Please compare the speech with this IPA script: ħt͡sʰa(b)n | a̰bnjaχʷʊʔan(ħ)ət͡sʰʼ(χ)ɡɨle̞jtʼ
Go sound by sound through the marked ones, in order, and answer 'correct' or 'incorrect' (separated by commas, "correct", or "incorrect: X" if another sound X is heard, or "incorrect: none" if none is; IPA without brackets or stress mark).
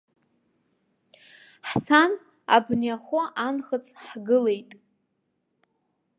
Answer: incorrect: none, incorrect: χ, incorrect: ħ